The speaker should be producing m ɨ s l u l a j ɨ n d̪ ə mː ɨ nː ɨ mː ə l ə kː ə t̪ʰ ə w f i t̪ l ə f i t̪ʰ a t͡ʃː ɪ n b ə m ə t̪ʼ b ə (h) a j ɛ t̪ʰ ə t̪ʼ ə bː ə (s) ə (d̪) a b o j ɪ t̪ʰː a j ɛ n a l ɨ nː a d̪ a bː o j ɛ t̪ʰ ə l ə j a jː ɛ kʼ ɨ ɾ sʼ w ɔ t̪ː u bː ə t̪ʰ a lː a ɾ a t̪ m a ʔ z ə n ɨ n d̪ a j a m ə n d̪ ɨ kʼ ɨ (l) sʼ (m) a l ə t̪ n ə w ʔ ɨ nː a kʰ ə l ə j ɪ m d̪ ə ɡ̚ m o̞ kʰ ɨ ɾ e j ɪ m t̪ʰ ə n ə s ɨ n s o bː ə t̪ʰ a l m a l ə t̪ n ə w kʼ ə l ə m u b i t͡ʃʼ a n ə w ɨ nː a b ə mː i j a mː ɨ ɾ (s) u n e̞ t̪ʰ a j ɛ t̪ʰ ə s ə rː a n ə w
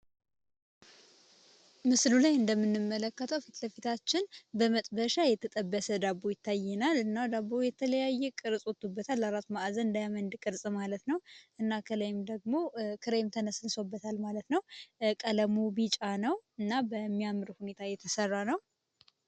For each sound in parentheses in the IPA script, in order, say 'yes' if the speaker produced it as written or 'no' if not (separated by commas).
no, yes, yes, no, yes, no